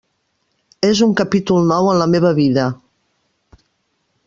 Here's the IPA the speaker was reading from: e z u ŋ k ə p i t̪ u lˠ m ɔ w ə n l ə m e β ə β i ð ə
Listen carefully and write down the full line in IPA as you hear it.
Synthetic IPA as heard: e z u ŋ k ə p i t̪ u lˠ n ɔ w ə n l ə m e β ə β i ð ə